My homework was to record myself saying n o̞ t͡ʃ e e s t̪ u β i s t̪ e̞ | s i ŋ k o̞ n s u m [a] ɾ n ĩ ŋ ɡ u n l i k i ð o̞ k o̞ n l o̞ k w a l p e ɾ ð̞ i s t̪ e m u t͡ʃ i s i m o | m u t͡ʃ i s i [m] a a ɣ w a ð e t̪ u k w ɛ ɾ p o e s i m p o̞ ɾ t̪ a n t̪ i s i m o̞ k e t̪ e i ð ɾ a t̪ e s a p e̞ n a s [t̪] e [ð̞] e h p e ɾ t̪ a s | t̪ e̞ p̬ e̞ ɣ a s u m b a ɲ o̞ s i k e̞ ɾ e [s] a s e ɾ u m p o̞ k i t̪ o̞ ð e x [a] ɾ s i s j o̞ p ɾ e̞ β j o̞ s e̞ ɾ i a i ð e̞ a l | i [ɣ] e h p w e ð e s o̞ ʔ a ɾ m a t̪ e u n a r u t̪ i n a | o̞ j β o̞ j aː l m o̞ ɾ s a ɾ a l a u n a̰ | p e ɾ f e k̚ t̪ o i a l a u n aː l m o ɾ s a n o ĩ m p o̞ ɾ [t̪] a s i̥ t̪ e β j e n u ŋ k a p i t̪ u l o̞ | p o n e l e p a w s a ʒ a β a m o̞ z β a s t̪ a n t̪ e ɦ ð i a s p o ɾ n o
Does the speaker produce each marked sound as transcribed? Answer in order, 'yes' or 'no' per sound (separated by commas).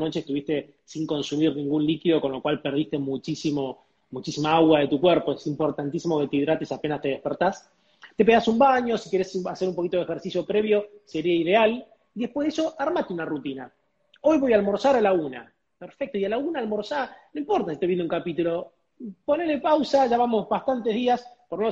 no, yes, yes, yes, yes, no, no, yes